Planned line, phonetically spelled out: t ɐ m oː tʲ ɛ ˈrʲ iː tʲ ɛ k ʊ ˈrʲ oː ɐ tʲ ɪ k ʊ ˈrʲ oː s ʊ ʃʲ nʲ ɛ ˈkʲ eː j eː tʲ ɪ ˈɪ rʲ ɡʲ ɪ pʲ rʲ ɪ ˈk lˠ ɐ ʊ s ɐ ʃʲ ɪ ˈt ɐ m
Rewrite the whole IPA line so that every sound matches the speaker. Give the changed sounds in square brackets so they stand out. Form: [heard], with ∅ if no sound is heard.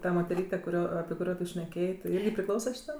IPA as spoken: t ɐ m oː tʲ ɛ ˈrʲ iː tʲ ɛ k ʊ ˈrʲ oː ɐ [pʲ] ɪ k ʊ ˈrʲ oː [t] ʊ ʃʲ nʲ ɛ ˈkʲ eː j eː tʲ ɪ ˈɪ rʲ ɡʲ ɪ pʲ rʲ ɪ ˈk lˠ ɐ ʊ s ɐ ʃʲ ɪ ˈt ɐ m

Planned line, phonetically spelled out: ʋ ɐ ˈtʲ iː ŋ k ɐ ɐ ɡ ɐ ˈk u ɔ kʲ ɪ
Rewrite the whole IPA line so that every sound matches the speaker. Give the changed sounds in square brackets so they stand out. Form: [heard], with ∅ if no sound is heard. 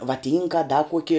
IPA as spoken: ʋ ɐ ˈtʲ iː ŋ k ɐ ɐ [d] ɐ ˈk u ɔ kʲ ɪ

